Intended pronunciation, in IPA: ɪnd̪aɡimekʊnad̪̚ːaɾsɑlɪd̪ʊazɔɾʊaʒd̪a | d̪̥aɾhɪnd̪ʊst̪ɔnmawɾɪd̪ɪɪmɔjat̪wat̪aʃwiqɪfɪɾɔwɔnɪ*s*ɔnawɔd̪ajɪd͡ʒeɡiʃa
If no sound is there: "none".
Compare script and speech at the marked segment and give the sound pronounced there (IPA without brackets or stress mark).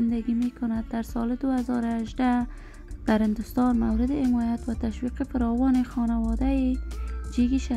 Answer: x